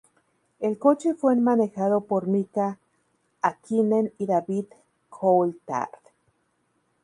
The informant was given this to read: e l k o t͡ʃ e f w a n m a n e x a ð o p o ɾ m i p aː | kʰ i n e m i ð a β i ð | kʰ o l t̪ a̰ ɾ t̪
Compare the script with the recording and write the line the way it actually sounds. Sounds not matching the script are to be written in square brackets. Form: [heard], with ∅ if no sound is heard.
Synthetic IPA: e l k o t͡ʃ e f w [e] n m a n e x a ð o p o ɾ m i [k] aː | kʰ i n e [n] i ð a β i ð | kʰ o l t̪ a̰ ɾ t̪